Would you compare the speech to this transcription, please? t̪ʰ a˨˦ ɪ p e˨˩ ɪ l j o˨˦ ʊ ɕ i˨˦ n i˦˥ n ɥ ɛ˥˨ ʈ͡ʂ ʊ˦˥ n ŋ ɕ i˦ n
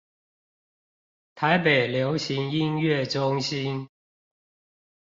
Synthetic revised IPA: t̪ʰ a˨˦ ɪ p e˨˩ ɪ l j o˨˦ ʊ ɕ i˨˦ ŋ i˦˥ n ɥ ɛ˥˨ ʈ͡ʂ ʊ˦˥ ŋ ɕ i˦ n